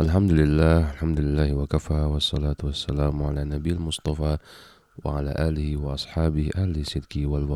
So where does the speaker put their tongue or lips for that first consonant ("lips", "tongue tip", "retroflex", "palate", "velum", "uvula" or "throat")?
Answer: throat